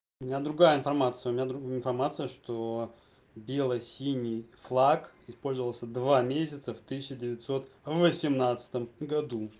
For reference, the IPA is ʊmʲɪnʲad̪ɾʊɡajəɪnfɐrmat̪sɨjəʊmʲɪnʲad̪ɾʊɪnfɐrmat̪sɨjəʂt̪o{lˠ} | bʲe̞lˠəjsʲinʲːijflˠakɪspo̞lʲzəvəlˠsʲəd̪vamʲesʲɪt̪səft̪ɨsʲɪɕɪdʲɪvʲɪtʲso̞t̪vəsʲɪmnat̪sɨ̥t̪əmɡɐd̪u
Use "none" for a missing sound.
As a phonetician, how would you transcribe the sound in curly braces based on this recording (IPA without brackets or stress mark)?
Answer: none